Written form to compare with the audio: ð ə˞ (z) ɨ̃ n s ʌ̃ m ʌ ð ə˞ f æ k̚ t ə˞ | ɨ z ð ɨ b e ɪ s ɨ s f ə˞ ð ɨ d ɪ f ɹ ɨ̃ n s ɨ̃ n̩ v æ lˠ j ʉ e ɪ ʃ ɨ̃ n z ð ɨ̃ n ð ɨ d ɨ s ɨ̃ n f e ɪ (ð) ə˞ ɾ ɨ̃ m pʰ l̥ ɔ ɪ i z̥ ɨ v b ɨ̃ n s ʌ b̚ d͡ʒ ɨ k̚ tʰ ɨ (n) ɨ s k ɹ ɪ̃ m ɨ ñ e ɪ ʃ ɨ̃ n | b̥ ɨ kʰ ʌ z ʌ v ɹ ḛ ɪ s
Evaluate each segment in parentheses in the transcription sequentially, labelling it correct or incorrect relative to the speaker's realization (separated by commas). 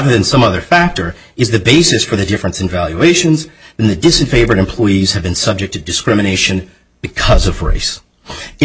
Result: incorrect, incorrect, incorrect